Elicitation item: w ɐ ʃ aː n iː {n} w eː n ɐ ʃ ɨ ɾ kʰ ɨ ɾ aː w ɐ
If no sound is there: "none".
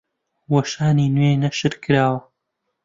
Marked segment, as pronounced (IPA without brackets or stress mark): n